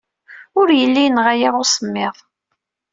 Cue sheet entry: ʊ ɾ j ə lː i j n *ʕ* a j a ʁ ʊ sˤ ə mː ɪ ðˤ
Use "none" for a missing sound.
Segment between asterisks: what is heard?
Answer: ʁ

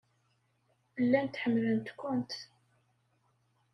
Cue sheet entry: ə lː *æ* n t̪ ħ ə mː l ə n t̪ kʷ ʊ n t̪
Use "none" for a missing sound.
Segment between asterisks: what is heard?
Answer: æ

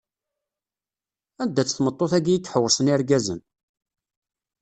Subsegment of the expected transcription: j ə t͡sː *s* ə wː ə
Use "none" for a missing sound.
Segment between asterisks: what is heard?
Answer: ħ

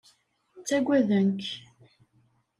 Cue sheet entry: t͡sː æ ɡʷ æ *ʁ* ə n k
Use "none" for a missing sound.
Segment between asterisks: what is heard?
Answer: ð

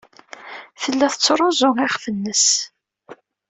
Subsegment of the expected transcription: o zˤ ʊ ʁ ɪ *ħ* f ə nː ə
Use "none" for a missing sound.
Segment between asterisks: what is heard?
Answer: χ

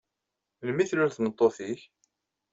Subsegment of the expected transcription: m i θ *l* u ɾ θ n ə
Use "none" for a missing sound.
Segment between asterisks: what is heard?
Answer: l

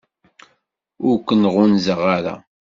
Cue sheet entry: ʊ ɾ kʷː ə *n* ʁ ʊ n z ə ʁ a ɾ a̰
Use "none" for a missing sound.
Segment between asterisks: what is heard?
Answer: n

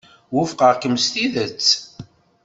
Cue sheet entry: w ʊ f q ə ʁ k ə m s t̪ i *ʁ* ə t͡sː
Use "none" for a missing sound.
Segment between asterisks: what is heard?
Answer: ð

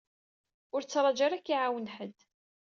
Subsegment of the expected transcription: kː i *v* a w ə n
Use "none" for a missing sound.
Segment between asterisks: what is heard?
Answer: ʕ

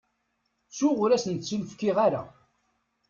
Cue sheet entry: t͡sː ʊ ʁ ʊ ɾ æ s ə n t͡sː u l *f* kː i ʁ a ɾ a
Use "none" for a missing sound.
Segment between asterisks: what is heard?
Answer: f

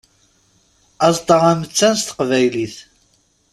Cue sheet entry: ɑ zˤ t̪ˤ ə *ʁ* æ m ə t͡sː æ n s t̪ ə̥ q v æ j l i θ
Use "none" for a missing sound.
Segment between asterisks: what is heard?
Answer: ʁ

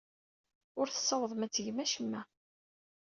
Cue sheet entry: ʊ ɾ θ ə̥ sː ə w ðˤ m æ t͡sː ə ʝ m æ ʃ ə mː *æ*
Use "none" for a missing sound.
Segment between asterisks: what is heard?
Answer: æ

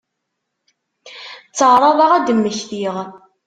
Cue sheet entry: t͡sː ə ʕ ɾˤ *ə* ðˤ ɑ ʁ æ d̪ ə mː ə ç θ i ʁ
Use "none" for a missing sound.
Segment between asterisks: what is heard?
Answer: ɑ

